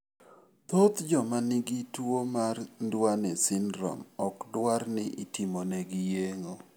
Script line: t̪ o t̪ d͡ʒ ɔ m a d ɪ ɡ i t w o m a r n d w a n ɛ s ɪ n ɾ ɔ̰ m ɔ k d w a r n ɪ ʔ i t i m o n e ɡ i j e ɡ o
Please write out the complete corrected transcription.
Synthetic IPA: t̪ o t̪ d͡ʒ ɔ m a n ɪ ɡ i t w o m a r n d w a n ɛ s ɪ n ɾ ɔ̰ m ɔ k d w a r n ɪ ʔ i t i m o n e ɡ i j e ŋ o